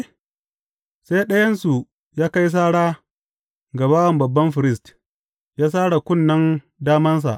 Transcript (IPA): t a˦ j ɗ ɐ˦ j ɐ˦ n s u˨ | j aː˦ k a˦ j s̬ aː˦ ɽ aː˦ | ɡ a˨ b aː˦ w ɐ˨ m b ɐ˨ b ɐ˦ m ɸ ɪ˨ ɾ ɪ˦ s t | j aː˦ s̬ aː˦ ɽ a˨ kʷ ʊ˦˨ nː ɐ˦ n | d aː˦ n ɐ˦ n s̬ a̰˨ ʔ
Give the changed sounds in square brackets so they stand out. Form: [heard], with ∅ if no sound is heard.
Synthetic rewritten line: [s] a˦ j ɗ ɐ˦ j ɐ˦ n s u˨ | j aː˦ k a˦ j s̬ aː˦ ɽ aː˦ | ɡ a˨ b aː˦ w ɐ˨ m b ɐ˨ [bː] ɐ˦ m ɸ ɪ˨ ɾ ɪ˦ s t | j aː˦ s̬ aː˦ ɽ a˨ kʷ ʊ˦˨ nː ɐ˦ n | d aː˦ [m] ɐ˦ n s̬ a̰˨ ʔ

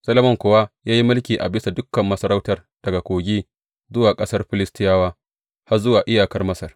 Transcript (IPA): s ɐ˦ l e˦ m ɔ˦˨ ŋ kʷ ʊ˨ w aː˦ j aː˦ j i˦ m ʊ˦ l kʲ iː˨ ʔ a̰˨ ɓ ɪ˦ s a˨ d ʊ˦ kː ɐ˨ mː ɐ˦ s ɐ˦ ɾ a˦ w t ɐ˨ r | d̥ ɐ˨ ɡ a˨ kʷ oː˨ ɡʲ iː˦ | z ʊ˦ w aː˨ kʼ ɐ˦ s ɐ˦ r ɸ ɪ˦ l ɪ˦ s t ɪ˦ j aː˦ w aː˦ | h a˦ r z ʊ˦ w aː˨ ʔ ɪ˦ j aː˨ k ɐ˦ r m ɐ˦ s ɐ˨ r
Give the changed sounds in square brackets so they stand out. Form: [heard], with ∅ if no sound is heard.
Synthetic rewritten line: s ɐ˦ l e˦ m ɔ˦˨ ŋ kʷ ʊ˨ w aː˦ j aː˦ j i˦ m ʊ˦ l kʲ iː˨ ʔ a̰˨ [b] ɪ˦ s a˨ d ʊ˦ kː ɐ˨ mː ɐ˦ s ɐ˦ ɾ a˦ w t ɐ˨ r | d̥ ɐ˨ ɡ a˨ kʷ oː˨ ɡʲ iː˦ | z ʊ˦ w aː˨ kʼ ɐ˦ s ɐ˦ r ɸ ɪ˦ l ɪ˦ s t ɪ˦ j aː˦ w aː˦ | h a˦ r z ʊ˦ w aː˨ ʔ ɪ˦ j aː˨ k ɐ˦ r m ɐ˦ s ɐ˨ r

